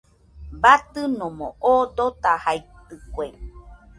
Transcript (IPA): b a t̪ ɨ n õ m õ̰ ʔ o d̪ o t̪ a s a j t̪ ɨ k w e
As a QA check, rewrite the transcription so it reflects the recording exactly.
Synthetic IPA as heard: b a t̪ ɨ n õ m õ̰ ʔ o d̪ o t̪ a h a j t̪ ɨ k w e